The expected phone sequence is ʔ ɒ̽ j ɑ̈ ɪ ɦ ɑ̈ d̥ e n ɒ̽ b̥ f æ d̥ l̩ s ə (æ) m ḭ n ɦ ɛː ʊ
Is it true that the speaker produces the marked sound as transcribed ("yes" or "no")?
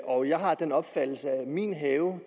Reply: yes